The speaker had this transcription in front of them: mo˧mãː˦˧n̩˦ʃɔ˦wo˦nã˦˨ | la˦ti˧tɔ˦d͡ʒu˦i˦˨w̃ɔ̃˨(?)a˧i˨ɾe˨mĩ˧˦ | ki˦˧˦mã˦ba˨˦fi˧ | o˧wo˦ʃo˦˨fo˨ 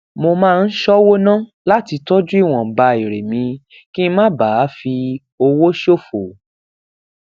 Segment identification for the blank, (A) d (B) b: B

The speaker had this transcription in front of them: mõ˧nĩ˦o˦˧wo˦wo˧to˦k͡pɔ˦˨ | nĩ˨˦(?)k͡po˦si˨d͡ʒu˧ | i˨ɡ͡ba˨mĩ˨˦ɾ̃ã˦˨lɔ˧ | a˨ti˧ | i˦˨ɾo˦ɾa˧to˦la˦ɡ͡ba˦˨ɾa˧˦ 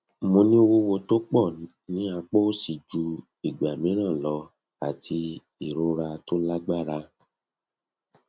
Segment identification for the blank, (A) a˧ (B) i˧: A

